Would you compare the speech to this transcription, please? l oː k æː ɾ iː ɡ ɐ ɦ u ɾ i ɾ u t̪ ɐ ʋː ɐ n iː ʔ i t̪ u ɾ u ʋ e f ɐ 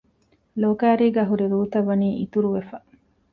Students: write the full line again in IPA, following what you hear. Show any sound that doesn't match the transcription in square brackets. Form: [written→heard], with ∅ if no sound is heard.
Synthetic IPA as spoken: l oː k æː ɾ iː ɡ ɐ ɦ u ɾ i ɾ [u→uː] t̪ ɐ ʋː ɐ n iː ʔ i t̪ u ɾ u ʋ e f ɐ

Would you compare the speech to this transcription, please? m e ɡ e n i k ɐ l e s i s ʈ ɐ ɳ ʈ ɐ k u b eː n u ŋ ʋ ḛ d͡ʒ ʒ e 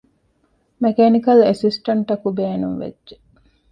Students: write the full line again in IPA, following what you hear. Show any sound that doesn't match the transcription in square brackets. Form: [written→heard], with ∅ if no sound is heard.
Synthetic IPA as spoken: m e [ɡ→k] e n i k ɐ l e s i s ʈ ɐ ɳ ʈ ɐ k u b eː n u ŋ ʋ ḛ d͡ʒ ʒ e

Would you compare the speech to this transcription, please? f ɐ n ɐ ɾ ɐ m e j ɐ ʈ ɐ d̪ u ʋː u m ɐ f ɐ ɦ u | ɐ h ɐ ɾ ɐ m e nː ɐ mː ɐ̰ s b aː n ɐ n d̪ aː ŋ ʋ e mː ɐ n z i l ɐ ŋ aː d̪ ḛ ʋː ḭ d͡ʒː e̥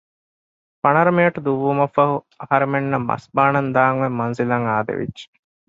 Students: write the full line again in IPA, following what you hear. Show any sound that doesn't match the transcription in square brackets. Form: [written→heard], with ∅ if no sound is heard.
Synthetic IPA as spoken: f ɐ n ɐ ɾ ɐ m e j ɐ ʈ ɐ d̪ u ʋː u m ɐ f ɐ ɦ u | ɐ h ɐ ɾ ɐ m e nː ɐ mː ɐ̰ s b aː n ɐ n d̪ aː ŋ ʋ e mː ɐ n z i l ɐ ŋ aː d̪ ḛ [ʋː→ʋ] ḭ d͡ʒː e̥

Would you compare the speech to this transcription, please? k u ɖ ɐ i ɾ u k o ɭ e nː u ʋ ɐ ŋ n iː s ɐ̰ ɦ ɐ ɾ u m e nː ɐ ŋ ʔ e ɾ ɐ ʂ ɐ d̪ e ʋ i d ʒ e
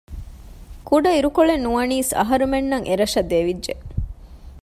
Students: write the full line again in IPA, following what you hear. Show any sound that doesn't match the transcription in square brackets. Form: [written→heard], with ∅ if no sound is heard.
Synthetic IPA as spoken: k u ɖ ɐ i ɾ u k o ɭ e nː u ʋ ɐ [ŋ→∅] n iː s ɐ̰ ɦ ɐ ɾ u m e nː ɐ ŋ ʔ e ɾ ɐ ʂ ɐ d̪ e ʋ i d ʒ e

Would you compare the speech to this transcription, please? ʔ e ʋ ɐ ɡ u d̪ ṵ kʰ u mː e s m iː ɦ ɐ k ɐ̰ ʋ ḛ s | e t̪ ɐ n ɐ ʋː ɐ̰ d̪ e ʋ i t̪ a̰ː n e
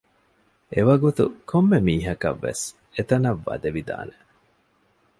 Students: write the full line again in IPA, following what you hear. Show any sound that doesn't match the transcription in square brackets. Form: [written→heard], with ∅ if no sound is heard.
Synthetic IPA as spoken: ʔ e ʋ ɐ ɡ u [d̪→t̪] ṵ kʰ [u→o] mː e [s→∅] m iː ɦ ɐ k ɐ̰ [ʋ→ʋː] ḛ s | e t̪ ɐ n ɐ ʋː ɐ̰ d̪ e ʋ i [t̪→d̪] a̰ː n e

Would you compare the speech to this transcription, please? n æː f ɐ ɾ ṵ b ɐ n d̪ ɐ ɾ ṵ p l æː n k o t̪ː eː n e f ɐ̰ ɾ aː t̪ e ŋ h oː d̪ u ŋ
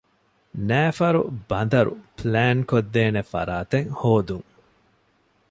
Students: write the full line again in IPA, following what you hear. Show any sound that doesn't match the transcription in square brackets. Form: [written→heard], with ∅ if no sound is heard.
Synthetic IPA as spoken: n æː f ɐ ɾ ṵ b ɐ n d̪ ɐ ɾ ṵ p l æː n k o [t̪ː→d̪ː] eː n e f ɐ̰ ɾ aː t̪ e ŋ h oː d̪ u ŋ

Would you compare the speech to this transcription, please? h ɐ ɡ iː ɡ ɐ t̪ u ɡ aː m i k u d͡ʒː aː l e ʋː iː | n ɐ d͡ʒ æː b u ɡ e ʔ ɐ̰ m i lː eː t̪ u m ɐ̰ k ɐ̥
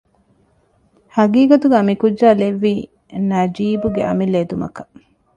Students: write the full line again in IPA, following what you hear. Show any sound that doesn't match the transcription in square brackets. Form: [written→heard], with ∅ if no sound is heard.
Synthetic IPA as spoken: h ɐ ɡ iː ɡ ɐ t̪ u ɡ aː m i k u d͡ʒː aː l e ʋː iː | n ɐ d͡ʒ [æː→iː] b u ɡ e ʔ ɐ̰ m i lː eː [t̪→d̪] u m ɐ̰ k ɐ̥

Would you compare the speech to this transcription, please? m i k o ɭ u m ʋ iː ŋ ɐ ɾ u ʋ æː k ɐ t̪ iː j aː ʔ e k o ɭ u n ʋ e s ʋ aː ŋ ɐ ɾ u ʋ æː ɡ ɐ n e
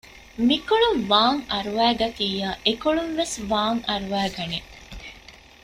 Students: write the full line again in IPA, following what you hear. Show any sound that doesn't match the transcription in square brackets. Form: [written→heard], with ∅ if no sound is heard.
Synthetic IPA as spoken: m i k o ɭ u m ʋ [iː→aː] ŋ ɐ ɾ u ʋ æː [k→ɡ] ɐ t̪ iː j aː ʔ e k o ɭ u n ʋ e s ʋ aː ŋ ɐ ɾ u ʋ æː ɡ ɐ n e

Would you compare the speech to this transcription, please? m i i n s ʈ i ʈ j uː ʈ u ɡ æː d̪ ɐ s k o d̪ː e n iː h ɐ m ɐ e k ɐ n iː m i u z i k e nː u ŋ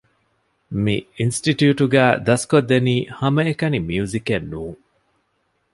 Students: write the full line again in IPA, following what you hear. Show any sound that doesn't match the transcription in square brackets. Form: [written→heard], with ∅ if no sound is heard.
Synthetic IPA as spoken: m i i n s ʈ i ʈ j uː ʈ u ɡ æː d̪ ɐ s k o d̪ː e n iː h ɐ m ɐ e k ɐ n [iː→i] m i u z i k e nː [u→uː] ŋ

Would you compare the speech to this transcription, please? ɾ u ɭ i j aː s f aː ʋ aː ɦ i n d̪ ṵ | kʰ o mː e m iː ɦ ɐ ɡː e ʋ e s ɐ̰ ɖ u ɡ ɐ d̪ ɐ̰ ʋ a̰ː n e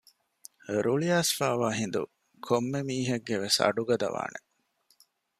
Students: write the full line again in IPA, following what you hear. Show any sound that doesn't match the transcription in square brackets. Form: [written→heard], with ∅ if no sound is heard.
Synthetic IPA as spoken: ɾ u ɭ i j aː s f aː ʋ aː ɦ i n d̪ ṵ | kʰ o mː e m iː ɦ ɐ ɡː e ʋ e s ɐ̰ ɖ u ɡ ɐ d̪ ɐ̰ ʋ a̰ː n e

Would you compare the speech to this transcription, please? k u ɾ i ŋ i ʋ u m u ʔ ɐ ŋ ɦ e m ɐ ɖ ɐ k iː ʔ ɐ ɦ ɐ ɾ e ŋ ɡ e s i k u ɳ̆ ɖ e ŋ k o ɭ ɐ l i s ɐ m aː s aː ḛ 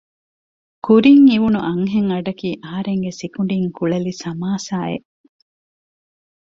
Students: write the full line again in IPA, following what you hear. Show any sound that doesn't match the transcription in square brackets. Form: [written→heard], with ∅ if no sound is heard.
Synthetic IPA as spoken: k u ɾ i ŋ i ʋ u [m→n] u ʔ ɐ ŋ ɦ e [m→ŋ] ɐ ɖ ɐ k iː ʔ ɐ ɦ ɐ ɾ e ŋ ɡ e s i k u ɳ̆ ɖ [e→i] ŋ k [o→u] ɭ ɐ l i s ɐ m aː s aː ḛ

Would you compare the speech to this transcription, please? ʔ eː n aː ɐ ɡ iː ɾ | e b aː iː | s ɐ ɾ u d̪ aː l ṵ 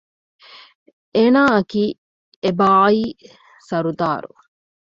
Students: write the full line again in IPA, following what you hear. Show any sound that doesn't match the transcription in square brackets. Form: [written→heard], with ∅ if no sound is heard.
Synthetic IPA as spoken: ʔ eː n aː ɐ [ɡ→k] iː [ɾ→∅] | e b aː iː | s ɐ ɾ u d̪ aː [l→ɾ] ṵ

